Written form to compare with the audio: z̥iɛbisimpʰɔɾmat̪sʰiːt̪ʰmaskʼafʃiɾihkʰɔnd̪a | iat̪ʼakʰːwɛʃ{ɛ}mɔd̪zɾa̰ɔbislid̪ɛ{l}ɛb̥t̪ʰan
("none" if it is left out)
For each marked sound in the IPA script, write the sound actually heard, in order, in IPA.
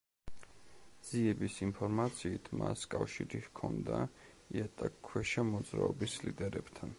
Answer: a, ɾ

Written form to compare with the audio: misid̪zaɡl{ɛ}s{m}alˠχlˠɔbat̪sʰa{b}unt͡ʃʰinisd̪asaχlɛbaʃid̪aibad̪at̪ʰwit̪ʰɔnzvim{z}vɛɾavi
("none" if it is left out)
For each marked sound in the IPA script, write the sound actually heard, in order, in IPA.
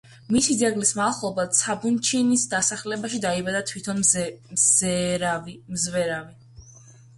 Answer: i, m, b, z

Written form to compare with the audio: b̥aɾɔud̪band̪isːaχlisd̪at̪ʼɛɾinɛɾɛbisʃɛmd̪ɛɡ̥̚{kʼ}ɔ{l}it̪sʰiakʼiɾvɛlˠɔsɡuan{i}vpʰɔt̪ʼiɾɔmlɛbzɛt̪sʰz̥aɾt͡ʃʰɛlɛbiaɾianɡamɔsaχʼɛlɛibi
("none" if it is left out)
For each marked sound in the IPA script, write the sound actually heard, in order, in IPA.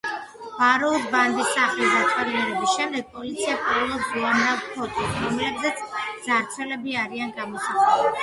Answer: pʼ, l, a

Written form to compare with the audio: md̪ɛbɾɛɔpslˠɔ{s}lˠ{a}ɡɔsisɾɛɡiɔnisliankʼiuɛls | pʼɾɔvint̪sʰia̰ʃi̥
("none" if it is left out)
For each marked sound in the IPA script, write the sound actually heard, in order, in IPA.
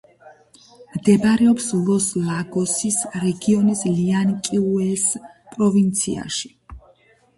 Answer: s, a

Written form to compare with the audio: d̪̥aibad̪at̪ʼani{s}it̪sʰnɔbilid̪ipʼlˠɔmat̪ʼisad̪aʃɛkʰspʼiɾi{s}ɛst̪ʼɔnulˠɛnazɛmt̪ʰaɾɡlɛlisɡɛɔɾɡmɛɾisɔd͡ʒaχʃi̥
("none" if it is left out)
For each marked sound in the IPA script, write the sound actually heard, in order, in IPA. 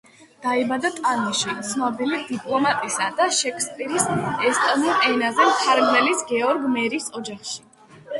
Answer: ʃ, s

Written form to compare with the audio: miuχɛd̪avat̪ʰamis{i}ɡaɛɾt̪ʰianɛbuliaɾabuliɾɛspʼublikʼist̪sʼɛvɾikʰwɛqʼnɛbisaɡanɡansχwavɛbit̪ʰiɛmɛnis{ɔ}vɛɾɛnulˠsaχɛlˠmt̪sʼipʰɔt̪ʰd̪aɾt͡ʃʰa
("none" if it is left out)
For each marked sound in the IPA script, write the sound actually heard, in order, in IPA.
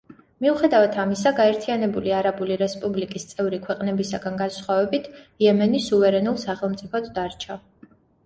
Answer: a, u

